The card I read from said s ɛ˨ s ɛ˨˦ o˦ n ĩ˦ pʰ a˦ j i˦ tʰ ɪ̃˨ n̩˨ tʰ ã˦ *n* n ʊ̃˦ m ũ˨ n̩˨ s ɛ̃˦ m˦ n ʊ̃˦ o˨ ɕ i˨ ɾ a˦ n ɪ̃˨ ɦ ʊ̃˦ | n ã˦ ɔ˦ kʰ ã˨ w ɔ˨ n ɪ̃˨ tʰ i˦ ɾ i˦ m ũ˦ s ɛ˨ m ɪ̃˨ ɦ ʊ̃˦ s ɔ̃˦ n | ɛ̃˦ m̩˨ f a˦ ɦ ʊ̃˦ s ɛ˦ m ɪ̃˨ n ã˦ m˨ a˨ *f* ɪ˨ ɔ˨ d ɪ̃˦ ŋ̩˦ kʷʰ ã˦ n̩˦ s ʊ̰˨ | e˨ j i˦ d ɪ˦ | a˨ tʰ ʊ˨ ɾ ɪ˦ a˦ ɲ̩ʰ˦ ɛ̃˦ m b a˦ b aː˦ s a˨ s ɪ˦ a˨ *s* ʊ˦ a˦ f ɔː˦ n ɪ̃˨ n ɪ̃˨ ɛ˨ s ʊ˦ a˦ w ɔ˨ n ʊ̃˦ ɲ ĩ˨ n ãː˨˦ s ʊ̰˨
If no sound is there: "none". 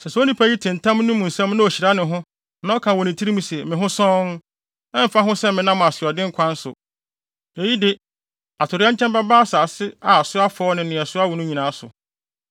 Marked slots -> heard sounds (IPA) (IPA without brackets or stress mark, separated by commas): m, s, s